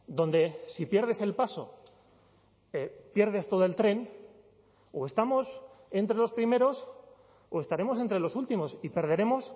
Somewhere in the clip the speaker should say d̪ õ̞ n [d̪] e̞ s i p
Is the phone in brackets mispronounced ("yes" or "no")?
no